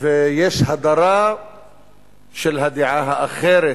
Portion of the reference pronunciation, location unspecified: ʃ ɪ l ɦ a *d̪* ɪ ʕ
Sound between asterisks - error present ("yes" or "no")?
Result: no